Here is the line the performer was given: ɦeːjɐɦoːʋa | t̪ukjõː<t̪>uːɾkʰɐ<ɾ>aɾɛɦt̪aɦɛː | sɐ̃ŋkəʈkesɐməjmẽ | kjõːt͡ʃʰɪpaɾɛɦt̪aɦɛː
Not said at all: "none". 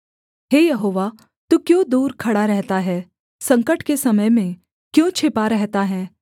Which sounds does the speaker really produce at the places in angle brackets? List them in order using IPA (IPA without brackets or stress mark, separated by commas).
d̪, ɽ